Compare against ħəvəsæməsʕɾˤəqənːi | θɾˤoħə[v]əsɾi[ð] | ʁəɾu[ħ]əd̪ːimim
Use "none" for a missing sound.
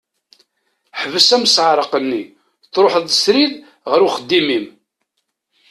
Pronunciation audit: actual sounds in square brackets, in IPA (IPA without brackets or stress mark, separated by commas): ð, ð, χ